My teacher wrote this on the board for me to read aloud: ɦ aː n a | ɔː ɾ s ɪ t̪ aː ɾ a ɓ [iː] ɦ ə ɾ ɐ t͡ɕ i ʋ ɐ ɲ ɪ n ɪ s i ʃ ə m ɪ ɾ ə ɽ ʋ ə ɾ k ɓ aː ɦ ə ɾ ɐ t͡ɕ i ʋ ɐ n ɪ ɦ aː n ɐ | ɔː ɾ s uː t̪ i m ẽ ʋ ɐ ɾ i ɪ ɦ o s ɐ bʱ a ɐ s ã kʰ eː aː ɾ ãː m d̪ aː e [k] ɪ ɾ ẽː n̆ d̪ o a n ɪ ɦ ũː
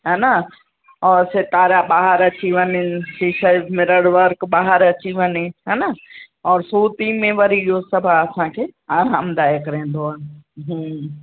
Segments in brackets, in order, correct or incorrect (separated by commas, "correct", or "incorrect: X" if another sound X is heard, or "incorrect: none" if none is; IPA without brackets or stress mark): incorrect: aː, correct